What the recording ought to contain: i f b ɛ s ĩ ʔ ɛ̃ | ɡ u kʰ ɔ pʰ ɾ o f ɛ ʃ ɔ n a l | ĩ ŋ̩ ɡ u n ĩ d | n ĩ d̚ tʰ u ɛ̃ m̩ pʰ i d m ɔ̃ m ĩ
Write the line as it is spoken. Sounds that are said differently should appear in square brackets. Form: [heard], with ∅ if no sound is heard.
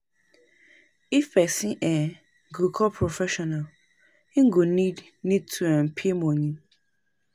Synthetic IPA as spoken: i f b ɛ s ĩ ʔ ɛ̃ | ɡ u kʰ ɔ pʰ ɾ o f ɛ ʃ ɔ n a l | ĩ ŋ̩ ɡ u n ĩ d | n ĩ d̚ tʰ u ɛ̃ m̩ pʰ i [∅] m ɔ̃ [ɲ] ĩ

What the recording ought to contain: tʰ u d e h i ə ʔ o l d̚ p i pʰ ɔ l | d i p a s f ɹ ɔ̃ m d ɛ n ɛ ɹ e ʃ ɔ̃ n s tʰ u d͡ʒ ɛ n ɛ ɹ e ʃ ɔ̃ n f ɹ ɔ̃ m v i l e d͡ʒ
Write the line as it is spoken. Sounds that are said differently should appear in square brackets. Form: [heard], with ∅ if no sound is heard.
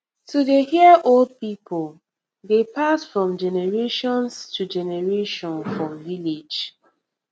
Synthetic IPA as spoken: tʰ u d e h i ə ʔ o l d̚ p i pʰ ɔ l | d [e] p a s f ɹ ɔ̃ m [d͡ʒ] ɛ n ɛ ɹ e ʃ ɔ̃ n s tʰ u d͡ʒ ɛ n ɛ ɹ e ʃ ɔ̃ n f ɹ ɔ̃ m v i l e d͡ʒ

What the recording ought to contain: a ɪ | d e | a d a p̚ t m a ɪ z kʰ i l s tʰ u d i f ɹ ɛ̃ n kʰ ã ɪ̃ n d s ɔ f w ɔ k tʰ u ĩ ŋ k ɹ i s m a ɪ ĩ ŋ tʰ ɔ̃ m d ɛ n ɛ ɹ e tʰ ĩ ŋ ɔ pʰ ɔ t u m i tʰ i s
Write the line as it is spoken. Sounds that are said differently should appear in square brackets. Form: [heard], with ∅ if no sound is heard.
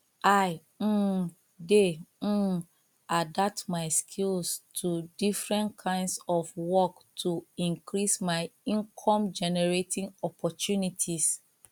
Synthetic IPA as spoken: a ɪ | d e | a d a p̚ t m a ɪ [s] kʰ i l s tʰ u d i f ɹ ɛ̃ n kʰ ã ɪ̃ n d s ɔ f w ɔ k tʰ u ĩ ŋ k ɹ i s m a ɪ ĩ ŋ [kʰ] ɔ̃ m [d͡ʒ] ɛ n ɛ ɹ e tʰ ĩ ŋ ɔ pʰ ɔ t u [n] i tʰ i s

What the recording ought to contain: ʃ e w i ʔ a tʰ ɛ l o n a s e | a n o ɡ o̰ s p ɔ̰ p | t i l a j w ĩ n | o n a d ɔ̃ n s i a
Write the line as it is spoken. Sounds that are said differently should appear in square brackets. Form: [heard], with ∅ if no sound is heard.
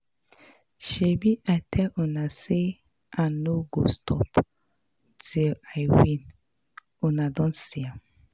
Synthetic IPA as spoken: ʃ e [b] i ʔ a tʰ ɛ l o n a s e | a n o ɡ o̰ s [t] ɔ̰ p | t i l a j w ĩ n | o n a d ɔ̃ n s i a

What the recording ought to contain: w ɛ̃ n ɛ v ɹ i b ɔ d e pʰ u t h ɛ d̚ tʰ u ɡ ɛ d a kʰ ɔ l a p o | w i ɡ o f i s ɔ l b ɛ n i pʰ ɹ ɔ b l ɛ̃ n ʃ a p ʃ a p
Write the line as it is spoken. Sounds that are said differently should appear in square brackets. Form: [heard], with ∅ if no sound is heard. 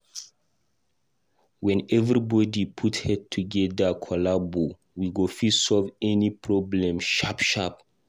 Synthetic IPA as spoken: w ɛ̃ n ɛ v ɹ i b ɔ d [i] pʰ u t h ɛ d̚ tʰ u ɡ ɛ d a kʰ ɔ l a [b] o | w i ɡ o f i s ɔ l [v] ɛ n i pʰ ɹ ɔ b l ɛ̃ [m] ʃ a p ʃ a p

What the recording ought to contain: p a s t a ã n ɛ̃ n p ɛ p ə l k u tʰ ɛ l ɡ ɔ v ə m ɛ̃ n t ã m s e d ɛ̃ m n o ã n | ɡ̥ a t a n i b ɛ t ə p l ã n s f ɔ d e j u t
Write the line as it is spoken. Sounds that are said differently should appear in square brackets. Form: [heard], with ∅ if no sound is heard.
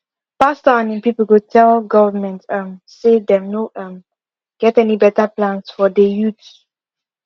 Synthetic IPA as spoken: p a s t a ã n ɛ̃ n p [i] p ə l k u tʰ ɛ l ɡ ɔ v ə m ɛ̃ n t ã m s e d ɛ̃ m n o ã [m] | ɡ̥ [ɛ] t [ɛ] n i b ɛ t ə p l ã n s f ɔ d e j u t

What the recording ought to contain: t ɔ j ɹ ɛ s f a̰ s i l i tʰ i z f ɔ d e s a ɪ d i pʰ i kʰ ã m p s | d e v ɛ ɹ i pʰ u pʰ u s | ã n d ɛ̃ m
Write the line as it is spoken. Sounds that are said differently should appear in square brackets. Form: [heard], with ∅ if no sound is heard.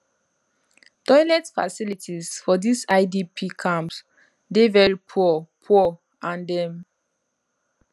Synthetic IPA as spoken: t ɔ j [l] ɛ [t] f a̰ s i l i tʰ i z f ɔ d [i] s a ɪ d i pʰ i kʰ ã m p s | d e v ɛ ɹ i pʰ u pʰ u [∅] | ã n d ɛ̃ m

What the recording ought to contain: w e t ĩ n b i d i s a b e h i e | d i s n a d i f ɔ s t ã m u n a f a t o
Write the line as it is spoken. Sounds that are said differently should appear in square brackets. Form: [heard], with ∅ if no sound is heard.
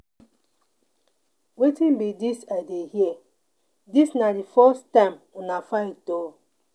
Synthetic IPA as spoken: w e t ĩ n b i d i s a [d] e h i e | d i s n a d i f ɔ s t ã m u n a f a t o

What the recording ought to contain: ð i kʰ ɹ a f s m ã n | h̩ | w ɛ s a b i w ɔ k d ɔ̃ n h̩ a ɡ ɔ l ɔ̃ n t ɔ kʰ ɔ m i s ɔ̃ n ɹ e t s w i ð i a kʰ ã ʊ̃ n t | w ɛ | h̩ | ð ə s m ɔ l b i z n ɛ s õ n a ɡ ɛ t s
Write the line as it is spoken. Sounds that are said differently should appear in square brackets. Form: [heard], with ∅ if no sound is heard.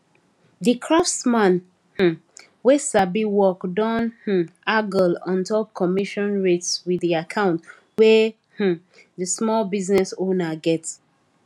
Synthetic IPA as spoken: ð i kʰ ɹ a f s m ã n | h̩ | w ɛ s a b i w ɔ k d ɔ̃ n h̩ a ɡ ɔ l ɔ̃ n t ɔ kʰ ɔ m i [ʃ] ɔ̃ n ɹ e t s w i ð i a kʰ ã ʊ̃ n t | w ɛ | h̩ | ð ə s m ɔ l b i z n ɛ s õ n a ɡ ɛ t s

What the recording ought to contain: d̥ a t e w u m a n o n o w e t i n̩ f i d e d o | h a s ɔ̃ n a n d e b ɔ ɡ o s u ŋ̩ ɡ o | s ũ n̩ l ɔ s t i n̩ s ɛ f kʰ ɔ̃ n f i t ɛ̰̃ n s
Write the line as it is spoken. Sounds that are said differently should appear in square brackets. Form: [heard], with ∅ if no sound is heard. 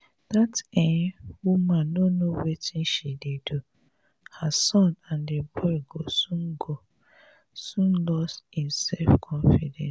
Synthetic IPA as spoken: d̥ a t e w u m a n o n o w e t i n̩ [ʃ] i d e d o | h a s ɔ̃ n a n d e b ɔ ɡ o s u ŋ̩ ɡ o | s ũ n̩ l ɔ s t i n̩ s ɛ f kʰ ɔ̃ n f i [d] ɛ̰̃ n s

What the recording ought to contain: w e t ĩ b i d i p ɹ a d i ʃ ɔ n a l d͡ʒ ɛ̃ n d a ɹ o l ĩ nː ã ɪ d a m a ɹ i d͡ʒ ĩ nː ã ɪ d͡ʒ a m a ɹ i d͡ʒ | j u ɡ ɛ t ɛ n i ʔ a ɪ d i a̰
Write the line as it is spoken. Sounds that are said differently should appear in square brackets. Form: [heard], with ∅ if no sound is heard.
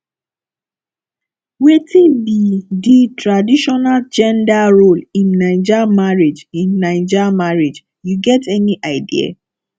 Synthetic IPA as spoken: w e t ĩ b i d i [t] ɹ a d i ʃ ɔ n a l d͡ʒ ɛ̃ n d a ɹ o l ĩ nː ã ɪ [d͡ʒ] a m a ɹ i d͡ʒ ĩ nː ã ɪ d͡ʒ a m a ɹ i d͡ʒ | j u ɡ ɛ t ɛ n i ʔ a ɪ d i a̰

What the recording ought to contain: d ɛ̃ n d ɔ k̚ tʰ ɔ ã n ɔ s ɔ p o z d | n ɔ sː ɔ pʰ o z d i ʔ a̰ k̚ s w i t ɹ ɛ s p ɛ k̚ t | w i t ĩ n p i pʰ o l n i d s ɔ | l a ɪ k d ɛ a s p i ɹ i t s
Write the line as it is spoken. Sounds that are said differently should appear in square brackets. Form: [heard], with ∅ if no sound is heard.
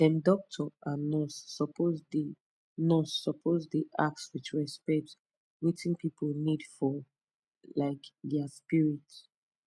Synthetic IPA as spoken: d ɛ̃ n d ɔ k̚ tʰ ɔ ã n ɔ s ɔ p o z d | n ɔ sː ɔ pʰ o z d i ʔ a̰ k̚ s w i [t͡ʃ] ɹ ɛ s p ɛ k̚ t | w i t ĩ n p i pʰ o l n i d [f] ɔ | l a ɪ k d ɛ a s p i ɹ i t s

